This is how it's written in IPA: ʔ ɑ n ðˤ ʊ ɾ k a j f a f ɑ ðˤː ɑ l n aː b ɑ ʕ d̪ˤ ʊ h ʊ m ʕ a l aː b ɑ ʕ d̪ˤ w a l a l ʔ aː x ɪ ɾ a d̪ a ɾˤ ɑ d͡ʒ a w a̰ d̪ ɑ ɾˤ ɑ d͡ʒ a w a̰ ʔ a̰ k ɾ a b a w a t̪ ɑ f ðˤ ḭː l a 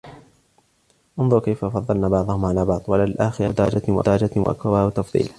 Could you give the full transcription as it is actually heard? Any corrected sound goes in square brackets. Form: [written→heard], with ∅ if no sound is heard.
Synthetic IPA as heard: ʔ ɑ n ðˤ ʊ ɾ k a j f a f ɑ ðˤː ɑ l n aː b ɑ ʕ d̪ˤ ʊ h ʊ m ʕ a l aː b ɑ ʕ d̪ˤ w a l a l ʔ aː x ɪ ɾ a d̪ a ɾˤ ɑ d͡ʒ a w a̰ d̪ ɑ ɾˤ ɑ d͡ʒ a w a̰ ʔ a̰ k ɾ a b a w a t̪ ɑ f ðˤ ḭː l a